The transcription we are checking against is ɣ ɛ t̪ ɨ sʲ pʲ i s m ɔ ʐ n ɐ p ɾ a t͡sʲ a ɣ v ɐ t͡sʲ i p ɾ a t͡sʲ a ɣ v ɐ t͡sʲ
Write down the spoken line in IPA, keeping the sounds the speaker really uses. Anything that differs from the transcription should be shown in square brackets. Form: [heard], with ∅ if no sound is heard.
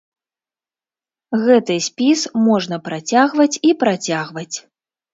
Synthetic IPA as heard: ɣ ɛ t̪ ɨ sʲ pʲ i s m ɔ ʐ n ɐ p ɾ a t͡sʲ a ɣ v ɐ t͡sʲ i p ɾ a t͡sʲ a ɣ v ɐ t͡sʲ